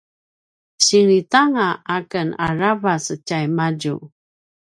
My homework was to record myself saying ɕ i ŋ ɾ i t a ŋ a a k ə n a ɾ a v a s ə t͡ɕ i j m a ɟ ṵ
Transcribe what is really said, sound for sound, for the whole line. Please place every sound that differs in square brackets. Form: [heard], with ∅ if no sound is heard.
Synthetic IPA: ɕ i ŋ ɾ i t a ŋ a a k ə n a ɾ a v a s ə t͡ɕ [a] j m a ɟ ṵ